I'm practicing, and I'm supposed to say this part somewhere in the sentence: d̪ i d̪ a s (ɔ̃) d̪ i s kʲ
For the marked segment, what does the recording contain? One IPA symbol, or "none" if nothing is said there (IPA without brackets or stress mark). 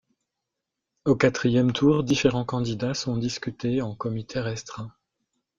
ɔ̃